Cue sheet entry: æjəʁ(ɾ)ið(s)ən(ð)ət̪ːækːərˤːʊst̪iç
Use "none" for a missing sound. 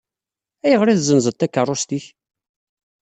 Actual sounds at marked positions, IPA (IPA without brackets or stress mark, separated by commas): ɾ, z, z